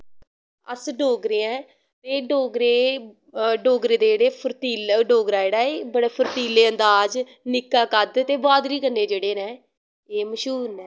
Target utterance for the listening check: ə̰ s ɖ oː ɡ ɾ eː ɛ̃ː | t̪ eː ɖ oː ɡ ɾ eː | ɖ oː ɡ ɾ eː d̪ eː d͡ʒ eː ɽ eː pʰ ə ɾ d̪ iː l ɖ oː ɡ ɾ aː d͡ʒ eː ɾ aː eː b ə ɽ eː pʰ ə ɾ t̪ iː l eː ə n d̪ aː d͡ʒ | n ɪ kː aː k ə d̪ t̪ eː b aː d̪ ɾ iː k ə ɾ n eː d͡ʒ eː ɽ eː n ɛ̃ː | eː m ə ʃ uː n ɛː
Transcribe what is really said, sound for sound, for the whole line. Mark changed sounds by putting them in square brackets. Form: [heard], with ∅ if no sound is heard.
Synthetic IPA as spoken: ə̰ s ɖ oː ɡ ɾ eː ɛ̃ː | t̪ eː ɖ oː ɡ ɾ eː | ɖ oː ɡ ɾ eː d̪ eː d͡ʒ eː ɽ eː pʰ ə ɾ [t̪] iː l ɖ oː ɡ ɾ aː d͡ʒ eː [ɽ] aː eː b ə ɽ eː pʰ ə ɾ t̪ iː l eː ə n d̪ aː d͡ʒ | n ɪ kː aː k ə d̪ t̪ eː b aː d̪ ɾ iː k ə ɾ n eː d͡ʒ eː ɽ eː n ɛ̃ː | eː m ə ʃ uː n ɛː

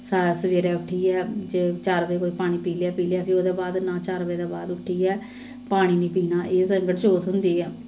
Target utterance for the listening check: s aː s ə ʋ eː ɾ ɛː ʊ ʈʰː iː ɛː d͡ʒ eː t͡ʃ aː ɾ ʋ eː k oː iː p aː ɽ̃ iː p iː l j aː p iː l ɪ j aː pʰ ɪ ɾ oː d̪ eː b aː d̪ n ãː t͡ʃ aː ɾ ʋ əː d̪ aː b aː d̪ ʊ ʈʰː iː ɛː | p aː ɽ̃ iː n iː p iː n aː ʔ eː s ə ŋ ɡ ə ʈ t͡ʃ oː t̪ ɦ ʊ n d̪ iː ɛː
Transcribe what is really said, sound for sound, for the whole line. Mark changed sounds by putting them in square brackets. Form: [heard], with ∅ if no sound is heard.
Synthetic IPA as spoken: s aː s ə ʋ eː ɾ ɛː ʊ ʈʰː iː ɛː d͡ʒ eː t͡ʃ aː ɾ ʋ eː k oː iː p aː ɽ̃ iː p iː l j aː p iː l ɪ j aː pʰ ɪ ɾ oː d̪ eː b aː d̪ n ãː t͡ʃ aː ɾ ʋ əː d̪ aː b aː d̪ ʊ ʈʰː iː ɛː | p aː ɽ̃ iː n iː p iː n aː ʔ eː s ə ŋ ɡ ə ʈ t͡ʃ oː t̪ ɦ ʊ n d̪ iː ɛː

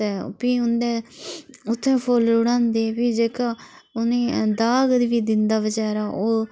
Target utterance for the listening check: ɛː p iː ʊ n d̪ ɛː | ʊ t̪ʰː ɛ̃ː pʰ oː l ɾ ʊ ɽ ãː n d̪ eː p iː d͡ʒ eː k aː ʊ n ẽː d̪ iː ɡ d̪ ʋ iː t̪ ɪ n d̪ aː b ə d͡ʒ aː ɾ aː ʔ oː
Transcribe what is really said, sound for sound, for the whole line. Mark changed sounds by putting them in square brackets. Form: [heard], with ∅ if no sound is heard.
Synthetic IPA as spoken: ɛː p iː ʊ n d̪ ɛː | ʊ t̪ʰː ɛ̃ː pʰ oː l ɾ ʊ ɽ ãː n d̪ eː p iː d͡ʒ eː k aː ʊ n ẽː d̪ [aː] ɡ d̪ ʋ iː [d̪] ɪ n d̪ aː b ə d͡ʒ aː ɾ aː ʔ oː

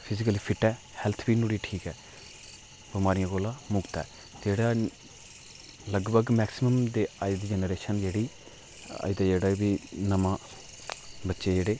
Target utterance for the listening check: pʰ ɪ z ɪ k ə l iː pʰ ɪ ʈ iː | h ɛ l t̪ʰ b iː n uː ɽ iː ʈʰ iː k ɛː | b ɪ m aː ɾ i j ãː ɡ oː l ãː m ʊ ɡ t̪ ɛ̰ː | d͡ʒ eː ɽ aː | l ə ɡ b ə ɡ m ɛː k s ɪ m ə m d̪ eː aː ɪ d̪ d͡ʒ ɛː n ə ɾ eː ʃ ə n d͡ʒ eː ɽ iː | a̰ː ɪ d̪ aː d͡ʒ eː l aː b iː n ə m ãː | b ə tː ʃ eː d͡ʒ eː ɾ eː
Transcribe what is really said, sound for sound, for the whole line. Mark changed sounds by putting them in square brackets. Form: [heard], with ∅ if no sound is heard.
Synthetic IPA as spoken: pʰ ɪ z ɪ k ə l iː pʰ ɪ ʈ [ɛː] | h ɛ l t̪ʰ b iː n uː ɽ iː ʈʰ iː k ɛː | b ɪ m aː ɾ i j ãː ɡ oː l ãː m ʊ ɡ t̪ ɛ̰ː | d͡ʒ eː ɽ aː | l ə ɡ b ə ɡ m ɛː k s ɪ m ə m d̪ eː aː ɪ d̪ d͡ʒ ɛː n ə ɾ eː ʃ ə n d͡ʒ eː ɽ iː | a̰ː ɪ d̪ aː d͡ʒ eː [ɽ] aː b iː n ə m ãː | b ə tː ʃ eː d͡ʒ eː [ɽ] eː

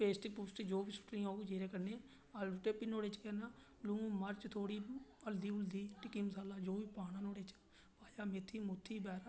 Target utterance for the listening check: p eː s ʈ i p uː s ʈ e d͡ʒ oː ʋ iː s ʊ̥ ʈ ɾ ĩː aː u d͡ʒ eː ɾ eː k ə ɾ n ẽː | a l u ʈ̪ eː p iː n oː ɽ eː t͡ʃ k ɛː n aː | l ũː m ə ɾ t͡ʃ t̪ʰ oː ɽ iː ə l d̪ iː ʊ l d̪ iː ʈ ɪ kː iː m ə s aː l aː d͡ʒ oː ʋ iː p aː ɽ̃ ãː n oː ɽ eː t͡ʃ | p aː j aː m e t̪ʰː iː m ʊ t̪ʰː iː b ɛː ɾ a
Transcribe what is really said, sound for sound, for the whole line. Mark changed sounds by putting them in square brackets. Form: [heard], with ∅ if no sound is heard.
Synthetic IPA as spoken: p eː s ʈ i p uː s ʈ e d͡ʒ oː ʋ iː s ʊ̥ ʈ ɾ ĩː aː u d͡ʒ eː ɾ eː k ə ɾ n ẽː | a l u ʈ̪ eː p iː n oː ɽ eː t͡ʃ k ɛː n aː | l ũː m ə ɾ t͡ʃ t̪ʰ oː ɽ iː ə l d̪ iː ʊ l d̪ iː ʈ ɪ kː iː m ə s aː l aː d͡ʒ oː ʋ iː p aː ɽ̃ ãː n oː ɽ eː t͡ʃ | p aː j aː m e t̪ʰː iː m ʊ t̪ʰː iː b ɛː ɾ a

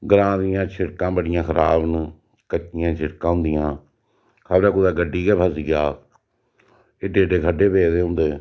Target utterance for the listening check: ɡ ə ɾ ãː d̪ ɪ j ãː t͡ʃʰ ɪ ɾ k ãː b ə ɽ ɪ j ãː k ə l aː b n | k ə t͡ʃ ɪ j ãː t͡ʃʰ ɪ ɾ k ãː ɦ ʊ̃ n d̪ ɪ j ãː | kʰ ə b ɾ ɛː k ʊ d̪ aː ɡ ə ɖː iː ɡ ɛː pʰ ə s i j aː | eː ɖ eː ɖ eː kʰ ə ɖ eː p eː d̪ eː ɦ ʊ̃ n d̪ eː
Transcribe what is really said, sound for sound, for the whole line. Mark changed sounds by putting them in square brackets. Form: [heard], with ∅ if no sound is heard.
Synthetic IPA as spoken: ɡ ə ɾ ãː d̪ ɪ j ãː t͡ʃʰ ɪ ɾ k ãː b ə ɽ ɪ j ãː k ə [ɾ] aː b n | k ə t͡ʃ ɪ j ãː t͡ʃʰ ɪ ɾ k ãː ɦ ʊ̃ n d̪ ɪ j ãː | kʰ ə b ɾ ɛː k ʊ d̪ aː ɡ ə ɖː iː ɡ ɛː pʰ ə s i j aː | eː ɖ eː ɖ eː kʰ ə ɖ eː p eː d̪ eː ɦ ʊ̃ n d̪ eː

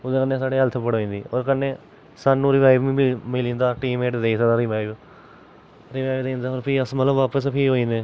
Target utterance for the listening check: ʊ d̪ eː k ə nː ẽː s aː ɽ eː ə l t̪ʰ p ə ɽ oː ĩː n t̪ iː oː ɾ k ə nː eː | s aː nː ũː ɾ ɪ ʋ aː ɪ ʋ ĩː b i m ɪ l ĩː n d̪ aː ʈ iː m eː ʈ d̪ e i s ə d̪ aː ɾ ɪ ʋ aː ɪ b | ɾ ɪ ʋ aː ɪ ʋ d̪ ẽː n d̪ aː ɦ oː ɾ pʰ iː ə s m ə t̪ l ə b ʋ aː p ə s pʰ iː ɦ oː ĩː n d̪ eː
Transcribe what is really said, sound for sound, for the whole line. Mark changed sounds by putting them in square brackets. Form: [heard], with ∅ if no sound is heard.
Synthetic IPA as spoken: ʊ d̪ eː k ə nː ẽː s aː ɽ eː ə l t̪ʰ p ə ɽ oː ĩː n [d̪] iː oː ɾ k ə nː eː | s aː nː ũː ɾ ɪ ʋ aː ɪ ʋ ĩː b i m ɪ l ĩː n d̪ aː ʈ iː m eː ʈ d̪ e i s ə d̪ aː ɾ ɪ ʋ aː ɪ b | ɾ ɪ ʋ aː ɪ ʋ d̪ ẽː n d̪ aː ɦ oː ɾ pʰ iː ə s m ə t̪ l ə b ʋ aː p ə s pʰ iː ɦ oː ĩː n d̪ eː

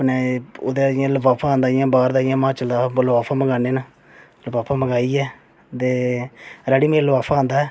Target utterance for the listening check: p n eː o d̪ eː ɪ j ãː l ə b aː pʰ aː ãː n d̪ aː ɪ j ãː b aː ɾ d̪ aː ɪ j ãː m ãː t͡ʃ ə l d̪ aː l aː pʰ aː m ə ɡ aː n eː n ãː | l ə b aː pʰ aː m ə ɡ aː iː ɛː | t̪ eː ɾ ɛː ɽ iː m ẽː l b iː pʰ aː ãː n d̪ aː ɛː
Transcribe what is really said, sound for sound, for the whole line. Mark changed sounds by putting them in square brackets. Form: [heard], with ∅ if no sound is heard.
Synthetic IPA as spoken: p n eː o d̪ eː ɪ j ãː l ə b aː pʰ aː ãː n d̪ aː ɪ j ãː b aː ɾ d̪ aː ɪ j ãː m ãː t͡ʃ ə l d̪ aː l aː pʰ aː m ə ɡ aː n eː n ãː | l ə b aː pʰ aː m ə ɡ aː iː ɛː | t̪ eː ɾ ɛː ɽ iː m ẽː l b [aː] pʰ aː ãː n d̪ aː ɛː

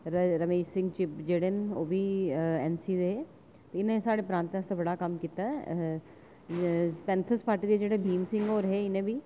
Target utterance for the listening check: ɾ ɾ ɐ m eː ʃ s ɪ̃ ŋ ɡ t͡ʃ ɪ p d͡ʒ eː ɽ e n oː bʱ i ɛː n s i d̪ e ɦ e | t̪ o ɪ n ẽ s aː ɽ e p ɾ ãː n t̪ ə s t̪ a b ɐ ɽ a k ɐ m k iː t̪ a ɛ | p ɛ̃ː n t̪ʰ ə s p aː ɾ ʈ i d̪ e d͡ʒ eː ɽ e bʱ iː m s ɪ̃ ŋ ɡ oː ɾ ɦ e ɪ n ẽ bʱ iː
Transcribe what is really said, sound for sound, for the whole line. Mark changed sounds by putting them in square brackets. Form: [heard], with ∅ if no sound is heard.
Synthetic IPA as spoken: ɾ ɾ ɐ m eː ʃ s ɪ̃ ŋ ɡ t͡ʃ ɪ p d͡ʒ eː ɽ e n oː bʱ i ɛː n s i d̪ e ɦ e | t̪ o ɪ n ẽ s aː ɽ e p ɾ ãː n t̪ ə s t̪ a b ɐ ɽ a k ɐ m k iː t̪ a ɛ | p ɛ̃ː n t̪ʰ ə s p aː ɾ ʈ i d̪ e d͡ʒ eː ɽ e bʱ iː m s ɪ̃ ŋ ɡ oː ɾ ɦ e ɪ n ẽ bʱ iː

